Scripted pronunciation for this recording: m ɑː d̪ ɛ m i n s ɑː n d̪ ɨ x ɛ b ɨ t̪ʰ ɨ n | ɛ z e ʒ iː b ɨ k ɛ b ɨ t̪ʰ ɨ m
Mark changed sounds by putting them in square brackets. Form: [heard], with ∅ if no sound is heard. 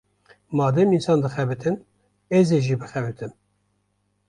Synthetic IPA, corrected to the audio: m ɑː d̪ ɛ m i n s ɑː n d̪ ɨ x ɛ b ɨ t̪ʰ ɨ n | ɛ z e ʒ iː b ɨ [x] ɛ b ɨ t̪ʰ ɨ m